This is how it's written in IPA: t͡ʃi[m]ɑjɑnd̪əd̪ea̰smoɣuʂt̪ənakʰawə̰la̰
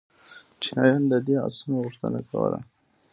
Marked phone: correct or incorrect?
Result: incorrect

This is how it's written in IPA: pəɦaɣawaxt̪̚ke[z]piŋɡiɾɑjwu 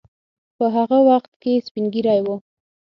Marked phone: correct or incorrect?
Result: incorrect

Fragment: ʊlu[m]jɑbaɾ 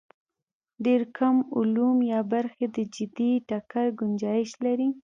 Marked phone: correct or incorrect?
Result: correct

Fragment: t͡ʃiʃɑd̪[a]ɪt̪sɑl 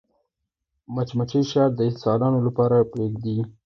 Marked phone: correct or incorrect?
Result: incorrect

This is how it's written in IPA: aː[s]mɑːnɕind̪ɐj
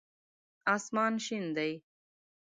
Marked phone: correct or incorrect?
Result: correct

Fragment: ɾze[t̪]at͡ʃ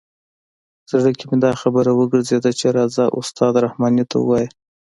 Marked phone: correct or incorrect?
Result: incorrect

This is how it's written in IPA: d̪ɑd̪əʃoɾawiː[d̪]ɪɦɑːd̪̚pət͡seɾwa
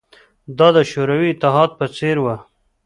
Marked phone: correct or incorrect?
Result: incorrect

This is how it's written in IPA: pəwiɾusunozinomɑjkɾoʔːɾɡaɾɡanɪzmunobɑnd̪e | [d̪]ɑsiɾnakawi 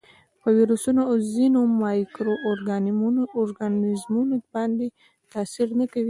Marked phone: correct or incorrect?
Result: incorrect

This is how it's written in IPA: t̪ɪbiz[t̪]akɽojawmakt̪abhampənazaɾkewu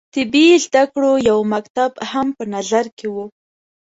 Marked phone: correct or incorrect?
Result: incorrect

